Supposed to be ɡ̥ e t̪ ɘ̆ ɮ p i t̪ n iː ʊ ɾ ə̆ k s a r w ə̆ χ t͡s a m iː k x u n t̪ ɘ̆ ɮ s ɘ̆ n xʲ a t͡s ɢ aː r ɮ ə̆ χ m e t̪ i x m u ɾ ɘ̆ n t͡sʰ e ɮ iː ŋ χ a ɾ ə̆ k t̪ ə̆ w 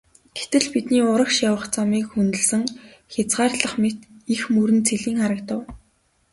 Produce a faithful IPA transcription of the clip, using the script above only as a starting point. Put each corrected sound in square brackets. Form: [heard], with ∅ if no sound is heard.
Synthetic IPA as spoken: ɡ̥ e t̪ ɘ̆ ɮ p i t̪ n iː ʊ ɾ ə̆ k [ʃ] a [∅] w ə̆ χ t͡s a m iː k x u n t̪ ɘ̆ ɮ s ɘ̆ [ŋ] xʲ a t͡s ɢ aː r ɮ ə̆ χ m e t̪ i x m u ɾ ɘ̆ n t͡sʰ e ɮ iː ŋ χ a ɾ ə̆ k t̪ ə̆ w